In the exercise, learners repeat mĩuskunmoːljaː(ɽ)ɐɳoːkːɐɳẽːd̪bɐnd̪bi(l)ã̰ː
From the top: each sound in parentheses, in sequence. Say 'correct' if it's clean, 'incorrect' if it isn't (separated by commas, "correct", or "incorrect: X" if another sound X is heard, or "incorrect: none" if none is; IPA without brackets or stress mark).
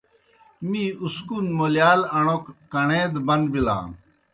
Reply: incorrect: l, correct